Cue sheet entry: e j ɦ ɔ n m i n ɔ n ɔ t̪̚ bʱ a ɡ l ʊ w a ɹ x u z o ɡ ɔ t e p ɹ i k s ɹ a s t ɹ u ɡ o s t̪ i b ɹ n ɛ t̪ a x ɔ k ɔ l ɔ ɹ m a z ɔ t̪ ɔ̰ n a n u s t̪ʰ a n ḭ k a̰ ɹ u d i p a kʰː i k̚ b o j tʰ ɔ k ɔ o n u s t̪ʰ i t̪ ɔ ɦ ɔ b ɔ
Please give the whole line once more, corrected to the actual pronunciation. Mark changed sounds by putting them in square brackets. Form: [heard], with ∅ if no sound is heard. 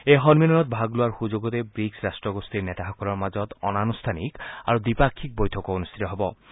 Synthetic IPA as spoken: e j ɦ ɔ n m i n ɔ n ɔ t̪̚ bʱ a ɡ l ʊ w a ɹ x u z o ɡ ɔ t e [b] ɹ i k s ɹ a s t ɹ [ɔ] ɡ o s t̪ i [∅] ɹ n ɛ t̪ a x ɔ k ɔ l ɔ ɹ m a z ɔ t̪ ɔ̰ n a n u s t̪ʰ a n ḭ k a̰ ɹ u d i p a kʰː i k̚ b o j tʰ ɔ k ɔ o n u s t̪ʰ i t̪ ɔ ɦ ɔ b ɔ